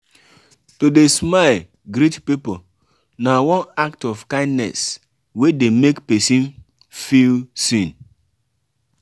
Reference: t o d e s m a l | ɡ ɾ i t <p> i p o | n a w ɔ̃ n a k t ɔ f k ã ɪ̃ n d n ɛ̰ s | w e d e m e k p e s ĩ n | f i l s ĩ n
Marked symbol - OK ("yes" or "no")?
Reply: yes